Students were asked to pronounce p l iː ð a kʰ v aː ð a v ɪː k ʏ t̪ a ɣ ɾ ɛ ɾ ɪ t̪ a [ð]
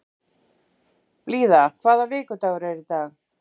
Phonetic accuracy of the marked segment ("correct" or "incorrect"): incorrect